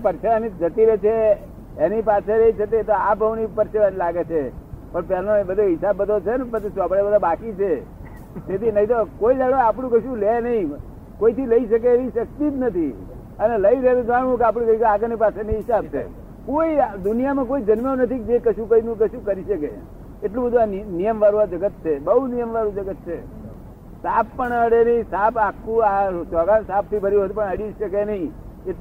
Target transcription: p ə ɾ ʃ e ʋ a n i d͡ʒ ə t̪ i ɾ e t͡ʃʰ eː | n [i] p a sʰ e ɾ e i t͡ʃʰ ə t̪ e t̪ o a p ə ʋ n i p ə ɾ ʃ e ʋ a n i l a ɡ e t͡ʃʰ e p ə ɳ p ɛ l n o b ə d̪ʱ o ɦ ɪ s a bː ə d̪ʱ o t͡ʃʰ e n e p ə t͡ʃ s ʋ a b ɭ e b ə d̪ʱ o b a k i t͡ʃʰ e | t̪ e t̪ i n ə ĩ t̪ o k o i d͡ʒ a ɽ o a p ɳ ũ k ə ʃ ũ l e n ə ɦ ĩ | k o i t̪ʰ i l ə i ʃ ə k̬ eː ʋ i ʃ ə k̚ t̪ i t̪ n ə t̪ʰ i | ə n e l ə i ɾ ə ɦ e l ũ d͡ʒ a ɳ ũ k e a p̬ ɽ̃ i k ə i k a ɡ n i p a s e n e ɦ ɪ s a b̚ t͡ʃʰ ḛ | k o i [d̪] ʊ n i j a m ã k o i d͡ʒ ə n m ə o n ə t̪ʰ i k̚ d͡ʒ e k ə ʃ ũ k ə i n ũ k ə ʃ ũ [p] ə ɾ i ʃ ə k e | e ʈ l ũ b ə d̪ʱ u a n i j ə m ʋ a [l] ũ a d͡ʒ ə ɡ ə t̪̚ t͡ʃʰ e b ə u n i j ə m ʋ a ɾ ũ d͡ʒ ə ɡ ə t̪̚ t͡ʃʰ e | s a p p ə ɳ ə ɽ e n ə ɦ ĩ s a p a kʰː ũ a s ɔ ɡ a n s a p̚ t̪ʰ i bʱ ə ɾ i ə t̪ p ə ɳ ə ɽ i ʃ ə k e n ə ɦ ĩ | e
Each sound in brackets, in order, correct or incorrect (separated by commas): correct, correct, incorrect, incorrect